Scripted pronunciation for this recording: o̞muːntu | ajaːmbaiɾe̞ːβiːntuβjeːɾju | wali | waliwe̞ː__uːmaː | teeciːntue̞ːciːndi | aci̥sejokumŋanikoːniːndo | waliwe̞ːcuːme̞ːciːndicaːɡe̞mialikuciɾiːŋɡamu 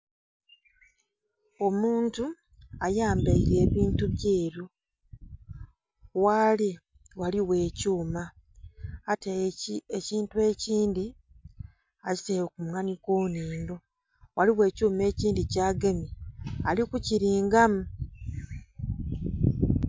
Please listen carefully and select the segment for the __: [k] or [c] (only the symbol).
c